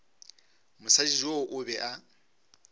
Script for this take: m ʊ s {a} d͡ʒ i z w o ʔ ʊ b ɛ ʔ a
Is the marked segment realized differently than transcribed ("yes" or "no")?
no